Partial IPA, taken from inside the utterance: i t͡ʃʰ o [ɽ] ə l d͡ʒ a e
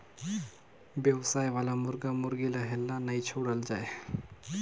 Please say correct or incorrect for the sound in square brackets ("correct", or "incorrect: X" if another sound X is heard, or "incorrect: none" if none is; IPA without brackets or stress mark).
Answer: correct